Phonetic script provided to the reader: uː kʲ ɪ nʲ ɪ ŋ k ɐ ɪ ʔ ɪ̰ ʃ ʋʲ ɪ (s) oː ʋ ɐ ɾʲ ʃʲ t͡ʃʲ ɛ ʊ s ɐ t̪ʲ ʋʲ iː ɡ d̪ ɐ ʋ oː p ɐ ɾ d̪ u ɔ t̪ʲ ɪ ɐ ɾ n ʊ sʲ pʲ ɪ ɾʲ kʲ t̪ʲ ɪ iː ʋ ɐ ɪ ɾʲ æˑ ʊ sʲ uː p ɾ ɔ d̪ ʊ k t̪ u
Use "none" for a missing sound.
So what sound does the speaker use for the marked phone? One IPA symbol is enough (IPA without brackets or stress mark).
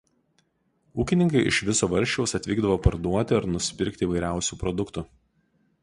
s